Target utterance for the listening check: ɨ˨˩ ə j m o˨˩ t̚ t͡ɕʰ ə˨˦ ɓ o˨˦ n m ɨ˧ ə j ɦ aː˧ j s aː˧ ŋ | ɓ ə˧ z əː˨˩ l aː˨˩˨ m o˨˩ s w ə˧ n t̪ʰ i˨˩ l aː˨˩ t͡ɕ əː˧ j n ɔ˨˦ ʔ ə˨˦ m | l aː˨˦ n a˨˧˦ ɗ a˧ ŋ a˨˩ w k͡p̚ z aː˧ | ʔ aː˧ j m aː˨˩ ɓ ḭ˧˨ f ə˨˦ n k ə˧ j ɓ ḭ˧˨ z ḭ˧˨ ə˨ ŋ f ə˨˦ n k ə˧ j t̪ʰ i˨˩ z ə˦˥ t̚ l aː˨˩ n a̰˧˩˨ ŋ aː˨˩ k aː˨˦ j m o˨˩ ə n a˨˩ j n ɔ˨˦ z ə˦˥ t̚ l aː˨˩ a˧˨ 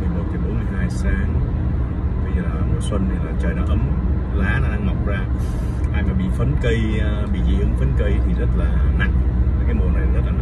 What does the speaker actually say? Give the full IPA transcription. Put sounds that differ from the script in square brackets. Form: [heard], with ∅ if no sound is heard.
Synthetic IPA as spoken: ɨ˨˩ ə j m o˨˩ t̚ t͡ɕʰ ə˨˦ ɓ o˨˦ n m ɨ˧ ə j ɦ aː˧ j s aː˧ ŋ | ɓ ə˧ z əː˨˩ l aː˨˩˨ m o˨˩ s w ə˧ n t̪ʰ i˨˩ l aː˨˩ t͡ɕ [əː˨˩] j n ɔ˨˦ ʔ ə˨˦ m | l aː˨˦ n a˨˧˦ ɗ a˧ ŋ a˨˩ w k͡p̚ z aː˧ | ʔ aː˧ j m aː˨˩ ɓ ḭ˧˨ f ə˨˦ n k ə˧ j ɓ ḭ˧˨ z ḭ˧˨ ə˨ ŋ f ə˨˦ n k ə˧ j t̪ʰ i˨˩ z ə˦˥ t̚ l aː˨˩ n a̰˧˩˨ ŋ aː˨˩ k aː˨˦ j m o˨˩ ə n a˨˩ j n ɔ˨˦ z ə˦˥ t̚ l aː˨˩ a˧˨